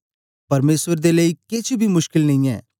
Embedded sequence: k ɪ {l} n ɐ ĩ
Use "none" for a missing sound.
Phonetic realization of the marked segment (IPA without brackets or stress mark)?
l